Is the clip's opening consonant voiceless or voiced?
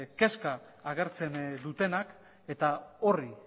voiceless